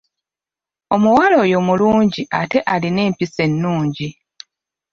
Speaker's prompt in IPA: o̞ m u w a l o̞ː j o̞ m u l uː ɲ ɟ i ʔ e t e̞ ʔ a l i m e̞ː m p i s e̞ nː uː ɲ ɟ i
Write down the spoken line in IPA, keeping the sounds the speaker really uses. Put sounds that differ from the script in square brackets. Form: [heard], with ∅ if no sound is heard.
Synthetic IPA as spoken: o̞ m u w a l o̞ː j o̞ m u l uː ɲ ɟ i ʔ [a] t e̞ ʔ a l i [n] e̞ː m p i s e̞ nː uː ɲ ɟ i